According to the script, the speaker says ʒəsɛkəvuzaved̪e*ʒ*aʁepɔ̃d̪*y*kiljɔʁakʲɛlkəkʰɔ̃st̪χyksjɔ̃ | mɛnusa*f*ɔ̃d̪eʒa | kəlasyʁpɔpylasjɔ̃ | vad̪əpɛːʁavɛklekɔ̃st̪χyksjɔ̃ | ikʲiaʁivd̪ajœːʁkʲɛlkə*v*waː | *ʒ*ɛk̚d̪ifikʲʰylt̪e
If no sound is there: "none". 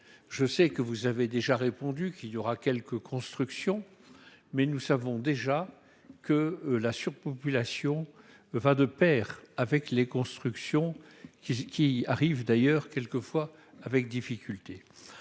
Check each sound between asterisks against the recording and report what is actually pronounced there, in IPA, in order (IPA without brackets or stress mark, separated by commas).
ʒ, y, v, f, v